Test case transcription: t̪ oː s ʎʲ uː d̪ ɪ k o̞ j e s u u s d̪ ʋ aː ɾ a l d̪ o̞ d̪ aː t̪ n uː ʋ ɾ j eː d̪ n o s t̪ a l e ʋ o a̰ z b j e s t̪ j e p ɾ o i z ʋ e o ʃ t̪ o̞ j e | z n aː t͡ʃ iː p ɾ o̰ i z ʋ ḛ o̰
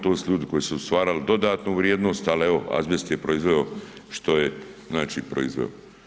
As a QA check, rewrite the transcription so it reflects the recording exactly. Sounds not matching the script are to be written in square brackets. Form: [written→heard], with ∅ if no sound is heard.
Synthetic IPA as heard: t̪ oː s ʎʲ uː d̪ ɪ k o̞ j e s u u s [d̪→t̪] ʋ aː ɾ a l d̪ o̞ d̪ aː t̪ n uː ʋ ɾ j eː d̪ n o s t̪ a l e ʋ o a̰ z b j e s t̪ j e p ɾ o i z ʋ e o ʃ t̪ o̞ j e | z n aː t͡ʃ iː p ɾ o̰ i z ʋ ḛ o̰